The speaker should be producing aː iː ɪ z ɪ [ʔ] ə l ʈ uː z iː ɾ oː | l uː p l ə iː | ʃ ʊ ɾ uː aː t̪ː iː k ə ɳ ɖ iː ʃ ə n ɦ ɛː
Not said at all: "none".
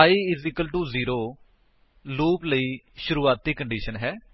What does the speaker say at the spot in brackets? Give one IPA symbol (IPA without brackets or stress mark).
k